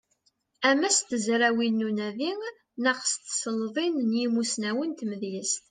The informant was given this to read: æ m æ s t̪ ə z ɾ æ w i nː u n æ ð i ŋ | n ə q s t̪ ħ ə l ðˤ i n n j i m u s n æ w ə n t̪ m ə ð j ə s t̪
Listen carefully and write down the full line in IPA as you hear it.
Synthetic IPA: æ m æ s t̪ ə z ɾ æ w i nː u n æ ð i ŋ | n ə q s t̪ s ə l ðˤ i n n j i m u s n æ w ə n t̪ m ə ð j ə s t̪